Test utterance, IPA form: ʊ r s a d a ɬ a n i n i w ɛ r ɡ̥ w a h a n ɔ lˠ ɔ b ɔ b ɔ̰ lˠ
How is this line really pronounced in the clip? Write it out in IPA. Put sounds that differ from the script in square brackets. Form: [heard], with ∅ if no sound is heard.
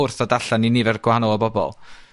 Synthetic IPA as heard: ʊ r [θ] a d a ɬ a n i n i [v] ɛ r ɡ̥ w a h a n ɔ lˠ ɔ b ɔ b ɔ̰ lˠ